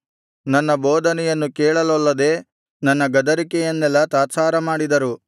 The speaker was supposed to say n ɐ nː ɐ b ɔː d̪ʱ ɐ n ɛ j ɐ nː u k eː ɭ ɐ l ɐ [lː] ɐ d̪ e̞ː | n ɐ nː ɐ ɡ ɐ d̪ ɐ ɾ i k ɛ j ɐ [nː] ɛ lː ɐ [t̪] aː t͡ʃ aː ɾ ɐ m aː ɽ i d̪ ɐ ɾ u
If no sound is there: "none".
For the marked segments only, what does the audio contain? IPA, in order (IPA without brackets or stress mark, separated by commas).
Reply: lː, nː, t̪